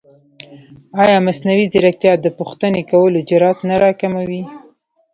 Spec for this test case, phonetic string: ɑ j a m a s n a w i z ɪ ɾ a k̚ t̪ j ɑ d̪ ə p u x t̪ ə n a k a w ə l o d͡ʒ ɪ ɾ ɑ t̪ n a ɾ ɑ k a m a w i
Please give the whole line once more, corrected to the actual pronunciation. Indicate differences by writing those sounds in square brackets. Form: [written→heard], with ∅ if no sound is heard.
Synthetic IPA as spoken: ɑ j [a→ɑ] m a s n a w i z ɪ ɾ a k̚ t̪ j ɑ d̪ ə p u x t̪ ə n [a→e] k a w ə l o d͡ʒ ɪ ɾ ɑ t̪ n a ɾ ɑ k a m a w i